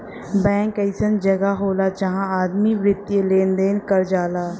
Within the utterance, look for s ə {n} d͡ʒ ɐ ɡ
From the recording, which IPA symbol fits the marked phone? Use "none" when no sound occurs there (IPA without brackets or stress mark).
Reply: n